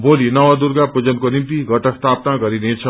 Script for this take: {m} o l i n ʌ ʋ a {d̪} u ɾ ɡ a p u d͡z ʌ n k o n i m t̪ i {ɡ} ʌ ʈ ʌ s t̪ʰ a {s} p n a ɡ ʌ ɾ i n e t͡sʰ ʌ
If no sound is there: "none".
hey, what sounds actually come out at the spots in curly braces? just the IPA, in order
b, d̪, ɡ, none

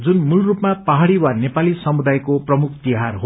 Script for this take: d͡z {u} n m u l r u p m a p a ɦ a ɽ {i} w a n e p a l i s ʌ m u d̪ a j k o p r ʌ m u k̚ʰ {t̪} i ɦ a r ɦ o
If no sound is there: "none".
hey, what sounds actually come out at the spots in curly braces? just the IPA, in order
u, i, t̪

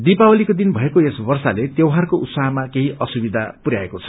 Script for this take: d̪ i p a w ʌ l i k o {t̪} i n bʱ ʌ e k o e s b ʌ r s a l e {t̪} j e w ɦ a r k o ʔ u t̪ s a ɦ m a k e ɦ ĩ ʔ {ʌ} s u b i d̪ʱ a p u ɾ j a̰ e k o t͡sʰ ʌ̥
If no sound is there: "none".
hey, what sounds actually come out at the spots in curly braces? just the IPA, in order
d̪, t̪, ʌ

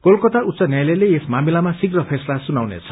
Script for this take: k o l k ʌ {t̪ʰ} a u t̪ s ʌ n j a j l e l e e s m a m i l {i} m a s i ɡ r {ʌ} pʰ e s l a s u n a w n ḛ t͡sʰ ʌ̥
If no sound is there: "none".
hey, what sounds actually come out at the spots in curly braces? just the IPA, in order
t̪, a, ʌ

